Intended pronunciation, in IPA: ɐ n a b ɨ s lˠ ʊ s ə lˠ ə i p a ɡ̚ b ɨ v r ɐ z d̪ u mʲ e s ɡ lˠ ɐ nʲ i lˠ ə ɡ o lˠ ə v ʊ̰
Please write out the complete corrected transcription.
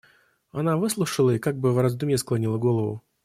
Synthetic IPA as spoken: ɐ n a v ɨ s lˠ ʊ ʂ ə lˠ ə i k a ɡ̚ b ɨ v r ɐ z d̪ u mʲ e s k lˠ ɐ nʲ i lˠ ə ɡ o lˠ ə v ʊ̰